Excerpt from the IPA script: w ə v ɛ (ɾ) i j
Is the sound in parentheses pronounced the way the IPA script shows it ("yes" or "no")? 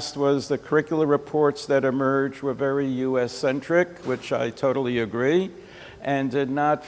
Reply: no